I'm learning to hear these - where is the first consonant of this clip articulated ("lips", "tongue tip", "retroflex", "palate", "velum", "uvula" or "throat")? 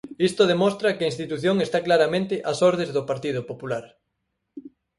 tongue tip